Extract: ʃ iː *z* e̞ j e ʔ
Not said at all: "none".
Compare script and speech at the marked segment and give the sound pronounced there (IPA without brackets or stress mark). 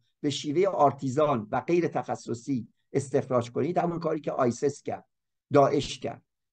v